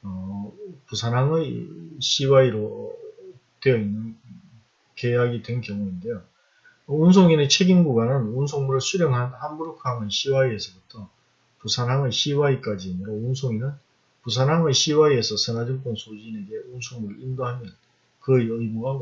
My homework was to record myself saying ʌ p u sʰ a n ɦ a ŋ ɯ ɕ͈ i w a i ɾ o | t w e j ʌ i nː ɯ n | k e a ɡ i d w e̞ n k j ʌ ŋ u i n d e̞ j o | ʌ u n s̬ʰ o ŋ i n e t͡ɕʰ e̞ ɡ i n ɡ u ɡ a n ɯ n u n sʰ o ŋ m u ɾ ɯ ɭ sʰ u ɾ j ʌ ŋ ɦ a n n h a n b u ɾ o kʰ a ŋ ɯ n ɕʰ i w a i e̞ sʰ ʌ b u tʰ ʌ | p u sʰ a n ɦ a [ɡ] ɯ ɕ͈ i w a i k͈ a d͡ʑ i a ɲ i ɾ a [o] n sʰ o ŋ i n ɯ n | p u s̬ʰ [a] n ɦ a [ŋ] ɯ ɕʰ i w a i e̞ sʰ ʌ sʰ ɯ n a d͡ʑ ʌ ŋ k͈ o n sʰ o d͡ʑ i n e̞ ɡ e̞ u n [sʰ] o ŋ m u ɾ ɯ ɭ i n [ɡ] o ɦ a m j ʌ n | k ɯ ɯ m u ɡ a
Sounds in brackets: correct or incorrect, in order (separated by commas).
incorrect, incorrect, correct, correct, correct, incorrect